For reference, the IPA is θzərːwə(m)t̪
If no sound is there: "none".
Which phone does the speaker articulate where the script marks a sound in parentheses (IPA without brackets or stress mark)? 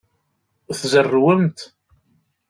m